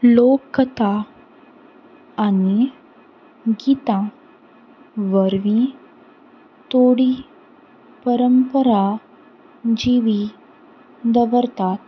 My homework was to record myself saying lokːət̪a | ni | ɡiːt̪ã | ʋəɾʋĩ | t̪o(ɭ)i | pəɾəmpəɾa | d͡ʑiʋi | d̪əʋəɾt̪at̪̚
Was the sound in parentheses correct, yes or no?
no